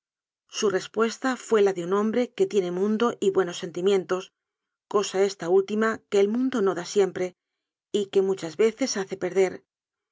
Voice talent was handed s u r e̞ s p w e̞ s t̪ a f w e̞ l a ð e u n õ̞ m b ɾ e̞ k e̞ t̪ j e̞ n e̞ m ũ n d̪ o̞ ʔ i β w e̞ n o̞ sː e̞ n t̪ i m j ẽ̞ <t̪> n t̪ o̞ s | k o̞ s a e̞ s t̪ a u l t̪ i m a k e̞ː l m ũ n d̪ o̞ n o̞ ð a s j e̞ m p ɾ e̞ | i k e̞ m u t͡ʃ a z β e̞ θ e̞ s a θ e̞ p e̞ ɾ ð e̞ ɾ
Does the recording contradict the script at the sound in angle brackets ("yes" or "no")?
yes